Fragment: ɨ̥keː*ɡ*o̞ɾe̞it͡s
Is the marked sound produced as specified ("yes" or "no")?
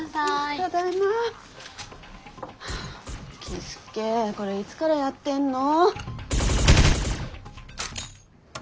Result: no